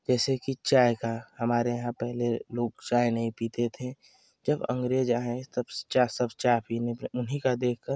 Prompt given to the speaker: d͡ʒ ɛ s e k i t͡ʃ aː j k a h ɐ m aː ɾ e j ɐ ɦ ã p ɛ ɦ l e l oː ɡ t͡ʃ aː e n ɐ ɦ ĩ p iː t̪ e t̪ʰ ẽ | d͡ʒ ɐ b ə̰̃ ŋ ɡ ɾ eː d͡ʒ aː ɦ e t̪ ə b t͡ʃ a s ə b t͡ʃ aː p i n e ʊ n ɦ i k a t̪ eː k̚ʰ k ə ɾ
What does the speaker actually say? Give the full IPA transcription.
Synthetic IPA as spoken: d͡ʒ ɛː s e k i t͡ʃ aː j k a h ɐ m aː ɾ e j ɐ ɦ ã p ɛ ɦ l e l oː ɡ t͡ʃ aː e n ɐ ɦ ĩ p iː t̪ e t̪ʰ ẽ | d͡ʒ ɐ b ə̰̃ ŋ ɡ ɾ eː d͡ʒ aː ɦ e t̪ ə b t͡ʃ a s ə b t͡ʃ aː p i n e ʊ n ɦ i k a d̪ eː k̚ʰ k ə ɾ

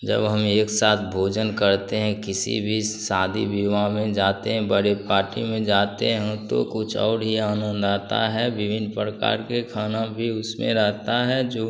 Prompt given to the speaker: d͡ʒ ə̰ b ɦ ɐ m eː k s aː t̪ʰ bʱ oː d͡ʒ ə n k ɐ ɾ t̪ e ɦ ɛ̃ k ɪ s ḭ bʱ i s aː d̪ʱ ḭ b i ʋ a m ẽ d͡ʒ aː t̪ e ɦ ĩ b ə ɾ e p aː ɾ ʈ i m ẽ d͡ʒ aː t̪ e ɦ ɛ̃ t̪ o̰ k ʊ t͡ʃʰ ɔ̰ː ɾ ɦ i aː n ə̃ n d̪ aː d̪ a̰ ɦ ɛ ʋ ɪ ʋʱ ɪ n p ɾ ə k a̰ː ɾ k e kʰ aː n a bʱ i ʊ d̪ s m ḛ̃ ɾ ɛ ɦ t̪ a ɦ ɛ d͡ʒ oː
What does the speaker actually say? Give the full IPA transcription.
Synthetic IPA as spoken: d͡ʒ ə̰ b ɦ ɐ m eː k s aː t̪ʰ bʱ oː d͡ʒ ə n k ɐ ɾ t̪ e ɦ ɛ̃ k ɪ s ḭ bʱ i s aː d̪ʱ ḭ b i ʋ a m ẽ d͡ʒ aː t̪ e ɦ ɛ̃ b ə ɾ e p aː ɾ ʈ i m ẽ d͡ʒ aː t̪ e ɦ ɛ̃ t̪ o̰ k ʊ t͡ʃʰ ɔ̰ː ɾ ɦ i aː n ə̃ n d̪ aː t̪ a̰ ɦ ɛ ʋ ɪ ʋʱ ɪ n p ɾ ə k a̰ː ɾ k e kʰ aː n a bʱ i ʊ s m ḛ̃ ɾ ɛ ɦ t̪ a ɦ ɛ d͡ʒ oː

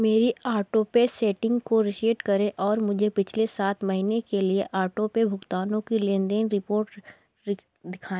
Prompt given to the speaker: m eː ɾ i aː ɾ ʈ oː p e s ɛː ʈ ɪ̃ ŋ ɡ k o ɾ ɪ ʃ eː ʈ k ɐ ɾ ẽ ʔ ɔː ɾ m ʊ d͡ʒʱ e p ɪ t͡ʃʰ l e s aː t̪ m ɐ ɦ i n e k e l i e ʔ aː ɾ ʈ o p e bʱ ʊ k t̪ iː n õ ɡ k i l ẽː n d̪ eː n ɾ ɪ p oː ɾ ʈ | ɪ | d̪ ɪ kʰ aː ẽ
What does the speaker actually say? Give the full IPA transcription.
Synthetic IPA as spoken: m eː ɾ i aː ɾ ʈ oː p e s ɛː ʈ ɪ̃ ŋ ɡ k o ɾ ɪ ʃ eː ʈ k ɐ ɾ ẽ ʔ ɔː ɾ m ʊ d͡ʒʱ e p ɪ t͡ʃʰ l e s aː t̪ m ɐ ɦ i n e k e l i e ʔ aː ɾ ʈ o p e bʱ ʊ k t̪ aː n õ k i l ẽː n d̪ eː n ɾ ɪ p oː ɾ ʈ | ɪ | d̪ ɪ kʰ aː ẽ

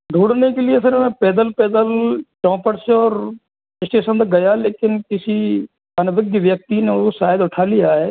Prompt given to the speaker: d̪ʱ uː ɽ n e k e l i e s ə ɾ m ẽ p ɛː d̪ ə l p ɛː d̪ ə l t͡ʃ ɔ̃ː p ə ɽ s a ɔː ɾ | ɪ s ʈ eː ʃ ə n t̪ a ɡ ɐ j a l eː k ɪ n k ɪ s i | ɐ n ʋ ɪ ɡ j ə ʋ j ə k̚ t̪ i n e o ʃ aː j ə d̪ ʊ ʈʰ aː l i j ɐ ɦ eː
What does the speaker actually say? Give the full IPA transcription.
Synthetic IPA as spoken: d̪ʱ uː ɽ n e k e l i e s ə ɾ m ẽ p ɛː d̪ ə l p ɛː d̪ ə l t͡ʃ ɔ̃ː p ə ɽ s e ɔː ɾ | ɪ s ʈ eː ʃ ə n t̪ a ɡ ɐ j a l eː k ɪ n k ɪ s i | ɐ n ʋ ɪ ɡ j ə ʋ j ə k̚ t̪ i n e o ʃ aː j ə d̪ ʊ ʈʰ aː l i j a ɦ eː

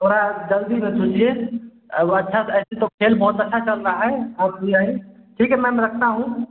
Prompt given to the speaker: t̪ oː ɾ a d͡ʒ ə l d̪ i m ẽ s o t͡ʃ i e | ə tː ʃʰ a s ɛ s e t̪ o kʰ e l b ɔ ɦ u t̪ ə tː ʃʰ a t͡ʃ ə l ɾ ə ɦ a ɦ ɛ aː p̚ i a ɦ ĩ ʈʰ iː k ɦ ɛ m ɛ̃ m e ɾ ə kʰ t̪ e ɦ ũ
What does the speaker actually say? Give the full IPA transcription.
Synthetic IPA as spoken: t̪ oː ɾ a d͡ʒ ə l d̪ i m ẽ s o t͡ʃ i e | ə tː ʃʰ a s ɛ s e t̪ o kʰ e l b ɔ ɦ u t̪ ə tː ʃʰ a t͡ʃ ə l ɾ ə ɦ a ɦ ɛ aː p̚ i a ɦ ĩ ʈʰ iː k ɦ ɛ m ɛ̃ m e ɾ ə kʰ t̪ a ɦ ũ

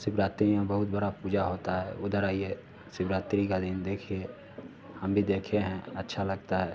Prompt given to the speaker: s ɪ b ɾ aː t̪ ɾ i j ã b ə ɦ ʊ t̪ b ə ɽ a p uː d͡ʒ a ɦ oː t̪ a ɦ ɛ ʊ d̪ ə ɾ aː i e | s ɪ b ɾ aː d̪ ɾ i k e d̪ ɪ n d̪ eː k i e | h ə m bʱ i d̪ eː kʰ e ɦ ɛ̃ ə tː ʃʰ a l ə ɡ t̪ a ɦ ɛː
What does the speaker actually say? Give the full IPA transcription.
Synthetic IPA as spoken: s ɪ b ɾ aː t̪ ɾ i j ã b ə ɦ ʊ t̪ b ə ɽ a p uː d͡ʒ a ɦ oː t̪ a ɦ ɛ ʊ d̪ ə ɾ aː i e | s ɪ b ɾ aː t̪ ɾ i k a d̪ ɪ n d̪ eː kʰ i e | h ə m bʱ i d̪ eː kʰ e ɦ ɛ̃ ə tː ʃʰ a l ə ɡ t̪ a ɦ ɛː

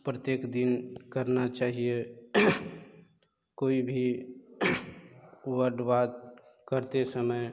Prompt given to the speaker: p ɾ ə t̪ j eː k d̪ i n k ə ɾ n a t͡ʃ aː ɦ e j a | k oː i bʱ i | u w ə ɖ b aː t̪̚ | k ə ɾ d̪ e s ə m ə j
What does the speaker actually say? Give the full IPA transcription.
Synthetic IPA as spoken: p ɾ ə t̪ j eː k d̪ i n k ə ɾ n a t͡ʃ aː ɦ i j e | k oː i bʱ i | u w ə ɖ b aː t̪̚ | k ə ɾ t̪ e s ə m ə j

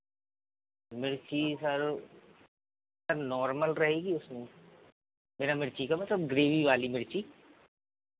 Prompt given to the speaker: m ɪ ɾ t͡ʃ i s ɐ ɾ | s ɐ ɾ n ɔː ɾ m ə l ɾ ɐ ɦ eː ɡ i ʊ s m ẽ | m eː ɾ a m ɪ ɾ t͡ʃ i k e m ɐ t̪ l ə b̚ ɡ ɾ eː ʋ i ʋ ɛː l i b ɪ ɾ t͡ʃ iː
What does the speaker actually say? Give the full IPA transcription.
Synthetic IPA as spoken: m ɪ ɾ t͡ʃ i s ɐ ɾ | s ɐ ɾ n ɔː ɾ m ə l ɾ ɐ ɦ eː ɡ i ʊ s m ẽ | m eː ɾ a m ɪ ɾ t͡ʃ i k a m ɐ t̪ l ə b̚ ɡ ɾ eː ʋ i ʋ aː l i m ɪ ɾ t͡ʃ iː

